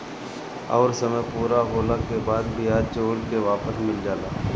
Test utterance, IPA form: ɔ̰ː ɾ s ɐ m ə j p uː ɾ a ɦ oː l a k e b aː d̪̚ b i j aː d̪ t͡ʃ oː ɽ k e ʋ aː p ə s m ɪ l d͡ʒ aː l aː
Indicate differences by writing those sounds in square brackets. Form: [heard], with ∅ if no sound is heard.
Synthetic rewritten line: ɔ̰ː ɾ s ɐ m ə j p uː ɾ a ɦ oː l a k e b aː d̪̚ b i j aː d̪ t͡ʃ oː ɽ k e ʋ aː p ə s m ɪ l d͡ʒ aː l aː